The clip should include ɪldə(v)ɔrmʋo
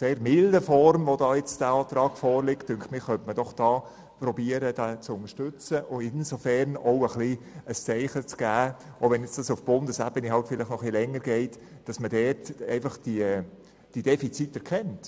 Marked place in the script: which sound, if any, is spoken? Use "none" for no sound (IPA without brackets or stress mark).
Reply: f